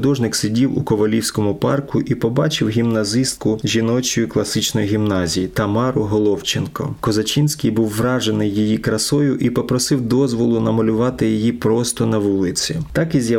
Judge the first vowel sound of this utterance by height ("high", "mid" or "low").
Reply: mid